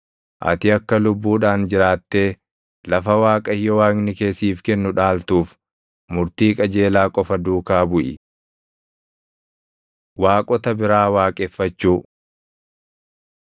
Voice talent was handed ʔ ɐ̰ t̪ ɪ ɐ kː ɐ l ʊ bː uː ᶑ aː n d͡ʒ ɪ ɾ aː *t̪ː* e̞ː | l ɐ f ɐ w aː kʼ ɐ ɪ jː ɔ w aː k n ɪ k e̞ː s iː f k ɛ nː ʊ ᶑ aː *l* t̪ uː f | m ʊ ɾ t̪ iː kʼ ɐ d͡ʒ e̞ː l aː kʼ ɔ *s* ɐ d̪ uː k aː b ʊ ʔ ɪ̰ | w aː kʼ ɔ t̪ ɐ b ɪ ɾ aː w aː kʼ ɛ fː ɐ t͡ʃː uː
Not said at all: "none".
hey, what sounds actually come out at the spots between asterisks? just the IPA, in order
t̪ː, l, f

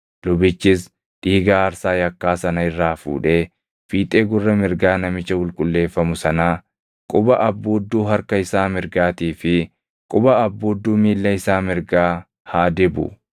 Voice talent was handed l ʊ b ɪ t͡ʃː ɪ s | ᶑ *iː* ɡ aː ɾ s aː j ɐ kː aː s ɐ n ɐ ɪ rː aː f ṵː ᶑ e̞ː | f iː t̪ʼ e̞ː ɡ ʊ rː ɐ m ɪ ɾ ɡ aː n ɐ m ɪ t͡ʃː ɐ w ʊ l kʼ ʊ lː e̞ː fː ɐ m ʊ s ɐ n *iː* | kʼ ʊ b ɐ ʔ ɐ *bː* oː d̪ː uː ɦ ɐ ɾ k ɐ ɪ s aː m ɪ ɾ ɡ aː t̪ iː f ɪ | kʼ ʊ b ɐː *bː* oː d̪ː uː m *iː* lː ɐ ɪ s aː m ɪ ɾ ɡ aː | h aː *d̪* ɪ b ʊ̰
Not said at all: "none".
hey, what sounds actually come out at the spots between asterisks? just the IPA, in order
iː, aː, bː, bː, iː, d̪

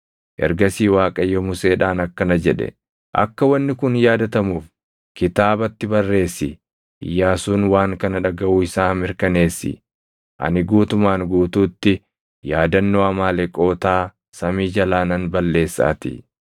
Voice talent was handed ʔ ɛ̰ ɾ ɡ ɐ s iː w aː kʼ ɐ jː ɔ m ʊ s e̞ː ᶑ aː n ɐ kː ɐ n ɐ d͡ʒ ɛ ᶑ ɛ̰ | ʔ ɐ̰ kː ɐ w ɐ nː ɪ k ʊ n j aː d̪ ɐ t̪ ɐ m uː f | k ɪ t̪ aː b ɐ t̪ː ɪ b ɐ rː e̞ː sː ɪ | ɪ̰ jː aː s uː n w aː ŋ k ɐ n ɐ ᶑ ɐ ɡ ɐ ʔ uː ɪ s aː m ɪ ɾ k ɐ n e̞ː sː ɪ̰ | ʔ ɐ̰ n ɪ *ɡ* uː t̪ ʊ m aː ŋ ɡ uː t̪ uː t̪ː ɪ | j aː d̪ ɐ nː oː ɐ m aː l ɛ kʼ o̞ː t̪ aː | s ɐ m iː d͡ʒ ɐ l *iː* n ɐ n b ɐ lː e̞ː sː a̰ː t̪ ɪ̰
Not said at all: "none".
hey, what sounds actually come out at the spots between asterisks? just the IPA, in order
ɡ, aː

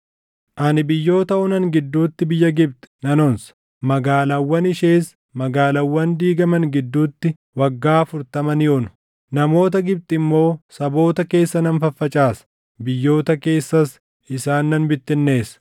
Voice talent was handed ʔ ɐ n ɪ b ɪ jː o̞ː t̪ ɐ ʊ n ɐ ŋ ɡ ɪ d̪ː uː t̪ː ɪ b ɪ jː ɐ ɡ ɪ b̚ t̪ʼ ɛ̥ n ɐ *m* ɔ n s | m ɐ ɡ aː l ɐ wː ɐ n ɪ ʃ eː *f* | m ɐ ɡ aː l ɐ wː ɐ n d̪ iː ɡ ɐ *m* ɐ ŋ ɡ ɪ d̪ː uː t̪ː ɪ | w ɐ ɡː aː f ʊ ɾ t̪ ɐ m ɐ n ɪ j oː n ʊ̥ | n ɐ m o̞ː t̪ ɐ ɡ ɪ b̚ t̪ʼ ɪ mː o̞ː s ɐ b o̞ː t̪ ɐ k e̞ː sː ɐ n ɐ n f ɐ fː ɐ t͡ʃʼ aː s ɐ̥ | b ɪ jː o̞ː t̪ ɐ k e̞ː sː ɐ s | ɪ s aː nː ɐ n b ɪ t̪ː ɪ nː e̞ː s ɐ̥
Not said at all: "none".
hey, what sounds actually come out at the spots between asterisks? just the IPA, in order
n, s, m

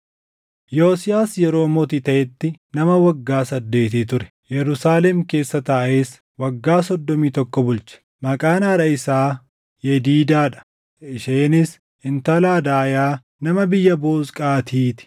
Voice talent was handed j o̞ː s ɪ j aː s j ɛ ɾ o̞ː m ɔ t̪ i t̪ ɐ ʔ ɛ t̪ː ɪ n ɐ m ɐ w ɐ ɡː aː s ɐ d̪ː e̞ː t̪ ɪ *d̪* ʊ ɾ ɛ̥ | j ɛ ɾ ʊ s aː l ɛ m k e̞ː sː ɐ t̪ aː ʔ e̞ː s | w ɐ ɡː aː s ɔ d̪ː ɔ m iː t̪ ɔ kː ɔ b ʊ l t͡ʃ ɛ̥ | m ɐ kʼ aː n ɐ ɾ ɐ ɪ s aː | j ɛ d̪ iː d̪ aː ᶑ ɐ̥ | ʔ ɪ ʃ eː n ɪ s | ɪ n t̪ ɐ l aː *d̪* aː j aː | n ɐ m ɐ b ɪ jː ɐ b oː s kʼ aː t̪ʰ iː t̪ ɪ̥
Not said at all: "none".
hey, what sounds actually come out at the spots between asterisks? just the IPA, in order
t̪, d̪

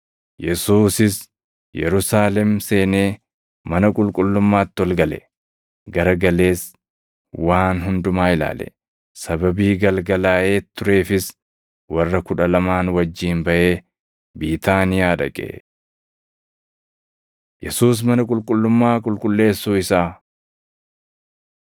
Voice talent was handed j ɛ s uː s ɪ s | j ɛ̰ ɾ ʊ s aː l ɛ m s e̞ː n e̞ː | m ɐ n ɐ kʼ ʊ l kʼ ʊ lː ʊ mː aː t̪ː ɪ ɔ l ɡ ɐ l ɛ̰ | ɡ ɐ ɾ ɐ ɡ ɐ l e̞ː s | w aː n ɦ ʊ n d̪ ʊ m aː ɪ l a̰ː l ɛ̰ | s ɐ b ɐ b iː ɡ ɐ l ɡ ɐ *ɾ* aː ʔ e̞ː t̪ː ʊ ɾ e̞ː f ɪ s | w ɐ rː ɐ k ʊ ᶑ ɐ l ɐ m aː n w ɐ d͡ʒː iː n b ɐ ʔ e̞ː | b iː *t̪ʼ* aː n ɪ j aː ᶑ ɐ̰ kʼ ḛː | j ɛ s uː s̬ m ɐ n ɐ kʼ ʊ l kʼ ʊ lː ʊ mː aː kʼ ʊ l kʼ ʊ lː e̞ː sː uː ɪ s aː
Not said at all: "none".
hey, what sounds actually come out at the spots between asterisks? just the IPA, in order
l, t̪

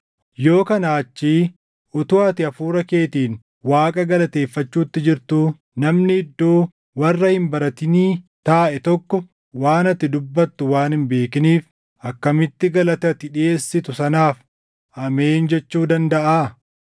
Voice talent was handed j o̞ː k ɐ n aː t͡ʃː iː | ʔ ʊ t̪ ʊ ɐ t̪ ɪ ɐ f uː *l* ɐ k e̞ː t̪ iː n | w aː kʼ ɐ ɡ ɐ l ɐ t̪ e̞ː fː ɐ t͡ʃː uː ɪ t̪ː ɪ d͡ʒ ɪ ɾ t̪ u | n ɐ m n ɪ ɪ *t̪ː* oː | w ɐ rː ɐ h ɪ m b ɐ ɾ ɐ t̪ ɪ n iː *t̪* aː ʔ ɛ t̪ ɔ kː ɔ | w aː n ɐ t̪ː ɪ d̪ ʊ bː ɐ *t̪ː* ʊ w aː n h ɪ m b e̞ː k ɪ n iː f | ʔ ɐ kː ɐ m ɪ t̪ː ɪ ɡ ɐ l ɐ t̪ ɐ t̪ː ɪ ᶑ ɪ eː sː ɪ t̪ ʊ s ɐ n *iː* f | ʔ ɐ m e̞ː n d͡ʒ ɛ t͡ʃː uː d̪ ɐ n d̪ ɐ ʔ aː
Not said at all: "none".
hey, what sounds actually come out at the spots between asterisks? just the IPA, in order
ɾ, d̪ː, t̪, t̪ː, aː

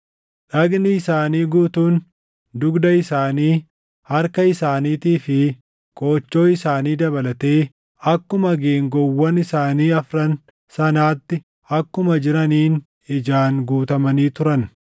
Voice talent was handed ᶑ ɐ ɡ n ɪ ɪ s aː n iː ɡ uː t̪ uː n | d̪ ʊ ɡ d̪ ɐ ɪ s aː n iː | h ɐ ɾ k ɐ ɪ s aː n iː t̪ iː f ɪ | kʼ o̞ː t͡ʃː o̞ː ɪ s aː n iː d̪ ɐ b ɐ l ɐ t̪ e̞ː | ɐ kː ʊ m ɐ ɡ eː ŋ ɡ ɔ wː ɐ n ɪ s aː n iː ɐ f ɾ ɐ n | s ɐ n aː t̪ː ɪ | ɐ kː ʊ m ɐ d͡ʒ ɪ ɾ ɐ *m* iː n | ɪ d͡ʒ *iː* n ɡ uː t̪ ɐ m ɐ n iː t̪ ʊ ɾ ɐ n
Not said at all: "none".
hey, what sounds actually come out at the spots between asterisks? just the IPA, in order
n, aː

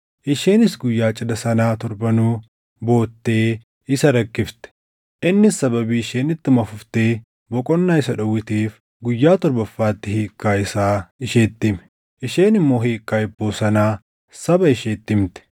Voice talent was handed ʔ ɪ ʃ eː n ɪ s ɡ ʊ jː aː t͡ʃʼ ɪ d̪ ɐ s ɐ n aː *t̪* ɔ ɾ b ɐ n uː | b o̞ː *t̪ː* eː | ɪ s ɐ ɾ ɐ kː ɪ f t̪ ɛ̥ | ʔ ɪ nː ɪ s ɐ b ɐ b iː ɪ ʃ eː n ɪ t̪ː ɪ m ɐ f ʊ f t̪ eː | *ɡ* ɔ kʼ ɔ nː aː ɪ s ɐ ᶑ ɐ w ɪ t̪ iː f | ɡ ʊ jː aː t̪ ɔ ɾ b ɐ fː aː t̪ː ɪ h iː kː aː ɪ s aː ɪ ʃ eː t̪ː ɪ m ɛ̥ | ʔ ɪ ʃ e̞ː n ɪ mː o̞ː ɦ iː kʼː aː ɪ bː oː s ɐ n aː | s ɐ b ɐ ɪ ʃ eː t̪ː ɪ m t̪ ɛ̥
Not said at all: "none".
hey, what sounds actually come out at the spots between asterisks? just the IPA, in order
t̪, t̪ː, b

